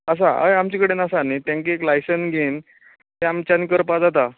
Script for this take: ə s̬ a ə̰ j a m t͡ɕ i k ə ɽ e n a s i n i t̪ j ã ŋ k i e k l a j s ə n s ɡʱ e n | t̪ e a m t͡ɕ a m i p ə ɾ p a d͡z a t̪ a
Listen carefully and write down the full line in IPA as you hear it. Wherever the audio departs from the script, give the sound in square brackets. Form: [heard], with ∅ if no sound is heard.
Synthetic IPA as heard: ə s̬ a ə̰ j a m t͡ɕ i k ə ɽ e n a s [a] n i t̪ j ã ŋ k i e k l a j s ə n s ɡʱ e n | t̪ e a m t͡ɕ a [n] i [k] ə ɾ p a d͡z a t̪ a